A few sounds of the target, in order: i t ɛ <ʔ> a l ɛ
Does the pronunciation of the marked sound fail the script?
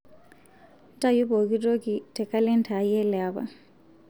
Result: yes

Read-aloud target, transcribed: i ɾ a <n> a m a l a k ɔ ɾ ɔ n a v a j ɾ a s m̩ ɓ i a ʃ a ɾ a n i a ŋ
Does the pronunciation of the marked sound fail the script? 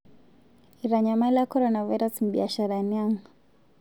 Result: yes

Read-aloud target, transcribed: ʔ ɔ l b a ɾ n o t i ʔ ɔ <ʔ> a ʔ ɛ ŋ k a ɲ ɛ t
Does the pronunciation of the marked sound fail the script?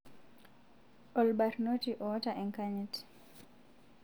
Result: yes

